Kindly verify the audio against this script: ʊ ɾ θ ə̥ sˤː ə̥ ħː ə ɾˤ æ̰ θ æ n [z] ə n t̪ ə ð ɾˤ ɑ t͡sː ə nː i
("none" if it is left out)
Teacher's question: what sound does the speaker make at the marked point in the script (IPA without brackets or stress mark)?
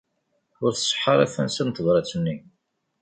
s